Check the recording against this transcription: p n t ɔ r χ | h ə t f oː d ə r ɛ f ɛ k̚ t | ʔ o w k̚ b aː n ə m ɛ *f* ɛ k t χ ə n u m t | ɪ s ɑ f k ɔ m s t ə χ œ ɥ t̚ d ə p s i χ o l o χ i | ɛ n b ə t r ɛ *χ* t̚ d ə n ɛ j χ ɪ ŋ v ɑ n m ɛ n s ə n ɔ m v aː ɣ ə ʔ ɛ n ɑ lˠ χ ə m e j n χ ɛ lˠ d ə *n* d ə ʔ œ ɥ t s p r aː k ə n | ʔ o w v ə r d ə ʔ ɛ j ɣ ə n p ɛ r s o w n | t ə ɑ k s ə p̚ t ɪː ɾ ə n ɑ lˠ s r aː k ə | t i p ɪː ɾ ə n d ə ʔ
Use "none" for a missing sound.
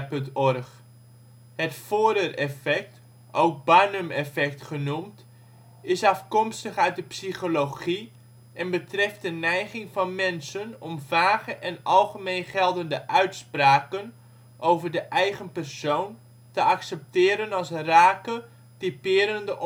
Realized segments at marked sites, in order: f, f, n

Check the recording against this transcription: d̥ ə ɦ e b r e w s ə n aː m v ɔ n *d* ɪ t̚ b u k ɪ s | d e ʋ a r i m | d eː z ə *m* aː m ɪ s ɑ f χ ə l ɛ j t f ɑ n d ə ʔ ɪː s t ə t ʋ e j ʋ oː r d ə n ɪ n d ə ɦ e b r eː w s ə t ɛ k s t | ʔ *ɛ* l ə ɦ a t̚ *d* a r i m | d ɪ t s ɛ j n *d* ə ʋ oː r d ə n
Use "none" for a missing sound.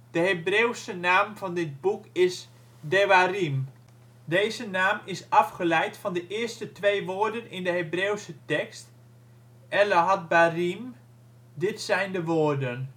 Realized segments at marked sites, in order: d, n, ɛ, b, d

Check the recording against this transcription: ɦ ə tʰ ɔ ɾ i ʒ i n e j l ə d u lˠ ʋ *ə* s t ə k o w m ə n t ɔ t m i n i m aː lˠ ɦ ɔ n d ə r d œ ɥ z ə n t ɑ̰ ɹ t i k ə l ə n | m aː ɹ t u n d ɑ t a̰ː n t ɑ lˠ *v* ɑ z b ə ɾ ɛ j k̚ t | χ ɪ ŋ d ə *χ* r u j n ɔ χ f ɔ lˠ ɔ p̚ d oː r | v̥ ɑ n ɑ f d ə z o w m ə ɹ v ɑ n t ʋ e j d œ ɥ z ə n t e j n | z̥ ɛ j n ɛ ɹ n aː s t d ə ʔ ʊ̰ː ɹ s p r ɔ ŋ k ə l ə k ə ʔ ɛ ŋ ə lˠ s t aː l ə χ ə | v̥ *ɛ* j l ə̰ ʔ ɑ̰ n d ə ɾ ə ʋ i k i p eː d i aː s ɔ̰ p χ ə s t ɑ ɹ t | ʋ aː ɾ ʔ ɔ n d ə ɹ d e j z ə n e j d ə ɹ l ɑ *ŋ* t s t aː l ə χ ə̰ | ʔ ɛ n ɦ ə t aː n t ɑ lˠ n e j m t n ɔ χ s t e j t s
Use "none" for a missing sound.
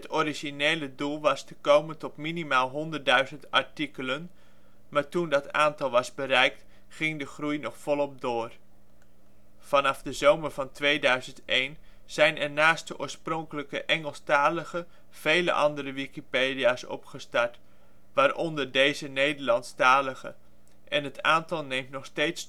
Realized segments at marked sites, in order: ɑ, ʋ, χ, e, n

